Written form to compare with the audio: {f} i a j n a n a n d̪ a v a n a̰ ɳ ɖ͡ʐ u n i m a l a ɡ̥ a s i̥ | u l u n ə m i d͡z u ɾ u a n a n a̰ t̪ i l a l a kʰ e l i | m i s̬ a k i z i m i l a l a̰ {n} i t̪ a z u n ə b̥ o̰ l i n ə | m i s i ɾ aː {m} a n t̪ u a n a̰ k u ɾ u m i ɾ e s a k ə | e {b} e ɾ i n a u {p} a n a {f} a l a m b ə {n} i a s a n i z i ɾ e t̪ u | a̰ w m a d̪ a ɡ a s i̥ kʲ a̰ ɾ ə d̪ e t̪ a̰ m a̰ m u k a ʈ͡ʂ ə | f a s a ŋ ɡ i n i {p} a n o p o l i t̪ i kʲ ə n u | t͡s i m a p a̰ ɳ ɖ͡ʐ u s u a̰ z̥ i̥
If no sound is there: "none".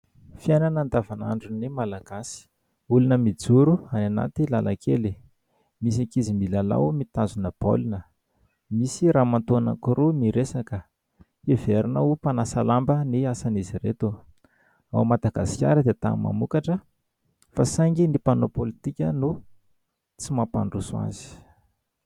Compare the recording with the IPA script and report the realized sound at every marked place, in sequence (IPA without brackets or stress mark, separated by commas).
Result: f, m, m, v, p, s, n, p